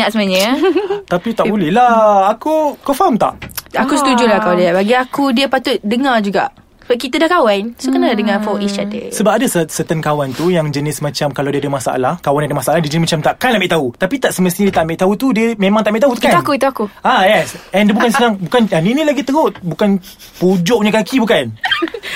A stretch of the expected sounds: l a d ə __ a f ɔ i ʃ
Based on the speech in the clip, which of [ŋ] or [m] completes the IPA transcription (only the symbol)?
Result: ŋ